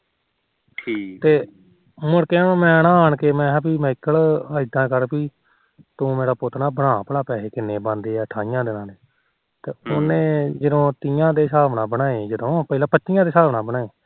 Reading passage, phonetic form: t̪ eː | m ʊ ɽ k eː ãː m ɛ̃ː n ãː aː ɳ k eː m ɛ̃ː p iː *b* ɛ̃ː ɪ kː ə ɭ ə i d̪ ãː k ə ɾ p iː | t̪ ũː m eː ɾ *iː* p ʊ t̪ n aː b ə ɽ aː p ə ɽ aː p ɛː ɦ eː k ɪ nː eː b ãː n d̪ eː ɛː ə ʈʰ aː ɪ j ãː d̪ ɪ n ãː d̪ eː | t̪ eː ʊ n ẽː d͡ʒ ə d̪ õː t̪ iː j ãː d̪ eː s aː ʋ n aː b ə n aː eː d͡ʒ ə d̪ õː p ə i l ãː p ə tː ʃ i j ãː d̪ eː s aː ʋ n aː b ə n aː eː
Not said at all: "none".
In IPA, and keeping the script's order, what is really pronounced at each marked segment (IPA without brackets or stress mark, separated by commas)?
m, aː